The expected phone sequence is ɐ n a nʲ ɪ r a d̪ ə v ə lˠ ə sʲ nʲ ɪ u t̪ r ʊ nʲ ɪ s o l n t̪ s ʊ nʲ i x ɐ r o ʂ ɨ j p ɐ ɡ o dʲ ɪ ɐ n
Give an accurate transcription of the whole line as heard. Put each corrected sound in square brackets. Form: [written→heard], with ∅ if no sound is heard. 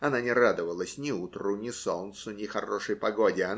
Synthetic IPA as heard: ɐ n a nʲ ɪ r a d̪ ə v ə lˠ ə sʲ nʲ ɪ u t̪ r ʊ nʲ ɪ s o l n t̪ s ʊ nʲ [i→ɪ] x ɐ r o ʂ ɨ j p ɐ ɡ o dʲ ɪ ɐ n